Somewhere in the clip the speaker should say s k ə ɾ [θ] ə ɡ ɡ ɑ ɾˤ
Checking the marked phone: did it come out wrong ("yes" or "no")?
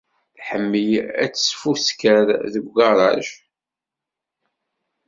yes